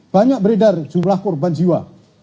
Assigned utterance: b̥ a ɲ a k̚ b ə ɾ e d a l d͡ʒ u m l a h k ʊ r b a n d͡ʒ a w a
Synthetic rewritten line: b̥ a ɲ a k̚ b ə ɾ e d a r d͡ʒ u m l a h k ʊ r b a n d͡ʒ i w a